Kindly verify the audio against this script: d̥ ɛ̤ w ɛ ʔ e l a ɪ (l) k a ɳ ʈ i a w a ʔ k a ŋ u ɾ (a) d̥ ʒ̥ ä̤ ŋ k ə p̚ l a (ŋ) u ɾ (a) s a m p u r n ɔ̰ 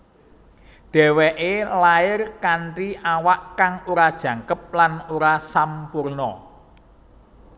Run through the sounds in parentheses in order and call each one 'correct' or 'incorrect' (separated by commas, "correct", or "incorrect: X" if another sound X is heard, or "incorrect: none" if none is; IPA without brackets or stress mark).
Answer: incorrect: r, correct, incorrect: n, correct